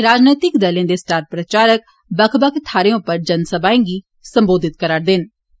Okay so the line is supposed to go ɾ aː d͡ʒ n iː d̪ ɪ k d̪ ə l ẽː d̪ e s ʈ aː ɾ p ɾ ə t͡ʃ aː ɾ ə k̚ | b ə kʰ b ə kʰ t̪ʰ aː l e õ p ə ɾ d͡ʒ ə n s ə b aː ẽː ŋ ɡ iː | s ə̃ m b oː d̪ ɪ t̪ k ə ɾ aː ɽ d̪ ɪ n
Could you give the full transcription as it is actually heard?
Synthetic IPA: ɾ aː d͡ʒ n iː t̪ ɪ k d̪ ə l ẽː d̪ e s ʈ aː ɾ p ɾ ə t͡ʃ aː ɾ ə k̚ | b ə kʰ b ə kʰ t̪ʰ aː ɾ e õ p ə ɾ d͡ʒ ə n s ə b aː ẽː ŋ ɡ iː | s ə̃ m b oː d̪ ɪ t̪ k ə ɾ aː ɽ d̪ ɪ n